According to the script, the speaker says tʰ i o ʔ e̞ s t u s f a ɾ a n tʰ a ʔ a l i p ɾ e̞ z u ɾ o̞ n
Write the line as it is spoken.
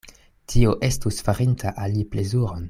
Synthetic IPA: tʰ i o ʔ e̞ s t u s f a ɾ i n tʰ a ʔ a l i p l e̞ z u ɾ o̞ n